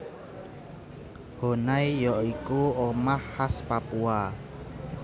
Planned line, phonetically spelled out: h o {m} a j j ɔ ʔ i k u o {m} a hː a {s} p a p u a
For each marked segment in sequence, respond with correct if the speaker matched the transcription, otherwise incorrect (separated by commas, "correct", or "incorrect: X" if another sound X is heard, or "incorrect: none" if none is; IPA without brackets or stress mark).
incorrect: n, correct, correct